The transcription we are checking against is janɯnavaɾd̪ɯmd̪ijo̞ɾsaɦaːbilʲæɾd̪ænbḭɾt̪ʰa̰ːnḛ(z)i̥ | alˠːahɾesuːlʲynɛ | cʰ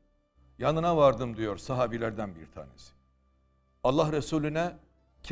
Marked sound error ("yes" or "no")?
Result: yes